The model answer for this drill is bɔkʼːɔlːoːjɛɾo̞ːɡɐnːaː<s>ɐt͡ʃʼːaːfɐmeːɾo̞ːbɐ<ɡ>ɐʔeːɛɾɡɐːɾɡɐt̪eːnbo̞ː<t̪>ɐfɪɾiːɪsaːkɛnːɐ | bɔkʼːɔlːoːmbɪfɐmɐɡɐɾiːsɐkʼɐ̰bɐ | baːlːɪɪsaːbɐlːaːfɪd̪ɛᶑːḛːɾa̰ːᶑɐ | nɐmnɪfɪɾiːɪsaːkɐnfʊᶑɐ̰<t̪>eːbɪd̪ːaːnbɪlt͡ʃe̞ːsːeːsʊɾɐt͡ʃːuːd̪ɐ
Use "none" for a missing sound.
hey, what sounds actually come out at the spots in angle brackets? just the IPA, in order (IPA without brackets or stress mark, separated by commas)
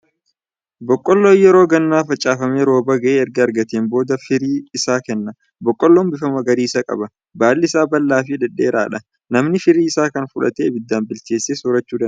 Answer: f, ɡ, d̪, t̪